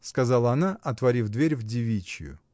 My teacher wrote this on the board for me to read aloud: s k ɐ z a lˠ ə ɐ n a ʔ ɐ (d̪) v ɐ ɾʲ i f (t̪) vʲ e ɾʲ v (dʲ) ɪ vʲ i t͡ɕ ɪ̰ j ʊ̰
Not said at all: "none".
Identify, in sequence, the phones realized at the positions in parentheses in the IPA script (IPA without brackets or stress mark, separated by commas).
t̪, d̪, dʲ